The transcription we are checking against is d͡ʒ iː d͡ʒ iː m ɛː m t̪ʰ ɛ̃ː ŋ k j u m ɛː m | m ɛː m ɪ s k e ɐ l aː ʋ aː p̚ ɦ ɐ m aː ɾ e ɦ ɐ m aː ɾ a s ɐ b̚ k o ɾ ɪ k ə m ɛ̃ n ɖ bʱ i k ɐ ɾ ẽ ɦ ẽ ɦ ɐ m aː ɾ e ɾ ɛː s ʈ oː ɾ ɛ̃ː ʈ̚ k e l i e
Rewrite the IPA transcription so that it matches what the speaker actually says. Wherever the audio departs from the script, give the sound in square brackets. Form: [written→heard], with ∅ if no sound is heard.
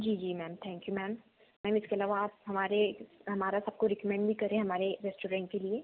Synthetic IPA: d͡ʒ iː d͡ʒ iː m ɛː m t̪ʰ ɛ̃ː ŋ k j u m ɛː m | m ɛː m ɪ s k e ɐ l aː ʋ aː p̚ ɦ ɐ m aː ɾ e ɦ ɐ m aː ɾ a s ɐ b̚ k o ɾ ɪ k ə m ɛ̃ [n→ɳ] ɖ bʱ i k ɐ ɾ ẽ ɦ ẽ ɦ ɐ m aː ɾ e ɾ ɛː s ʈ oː ɾ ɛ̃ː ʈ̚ k e l i e